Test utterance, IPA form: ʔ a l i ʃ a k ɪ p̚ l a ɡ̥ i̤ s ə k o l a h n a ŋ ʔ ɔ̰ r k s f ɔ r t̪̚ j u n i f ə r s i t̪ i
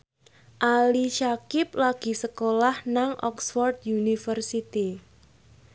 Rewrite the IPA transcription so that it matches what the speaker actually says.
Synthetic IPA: ʔ a l i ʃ a k ɪ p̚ l a ɡ̥ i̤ s ə k o l a h n a ŋ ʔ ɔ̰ k s f ɔ r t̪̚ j u n i f ə r s i t̪ i

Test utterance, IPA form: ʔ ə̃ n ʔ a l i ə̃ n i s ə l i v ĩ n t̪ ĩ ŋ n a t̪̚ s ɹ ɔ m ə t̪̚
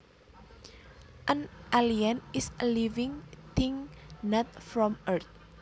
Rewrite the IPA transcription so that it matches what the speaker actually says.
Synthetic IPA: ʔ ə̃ n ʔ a l i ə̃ n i s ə l i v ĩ ŋ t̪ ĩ ŋ n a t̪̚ f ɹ ɔ m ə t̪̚

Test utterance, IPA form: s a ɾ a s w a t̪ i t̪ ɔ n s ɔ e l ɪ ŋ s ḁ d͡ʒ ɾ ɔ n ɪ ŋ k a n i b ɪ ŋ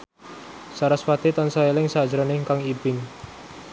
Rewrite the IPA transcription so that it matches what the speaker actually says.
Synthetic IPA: s a ɾ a s w a t̪ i t̪ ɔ n s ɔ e l ɪ ŋ s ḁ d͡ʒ ɾ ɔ n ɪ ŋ k a ŋ i b ɪ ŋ

